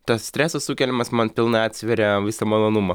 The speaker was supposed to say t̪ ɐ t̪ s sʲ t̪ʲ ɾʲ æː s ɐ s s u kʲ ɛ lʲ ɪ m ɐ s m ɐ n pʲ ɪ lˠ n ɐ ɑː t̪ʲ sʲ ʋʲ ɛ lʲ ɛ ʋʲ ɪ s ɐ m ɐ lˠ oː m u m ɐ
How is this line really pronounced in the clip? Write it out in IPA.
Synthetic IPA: t̪ ɐ s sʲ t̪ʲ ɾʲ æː s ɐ s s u kʲ ɛ lʲ ɪ m ɐ s m ɐ n pʲ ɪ lˠ n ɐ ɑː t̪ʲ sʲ ʋʲ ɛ ɾʲ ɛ ʋʲ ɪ s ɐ m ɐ lˠ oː n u m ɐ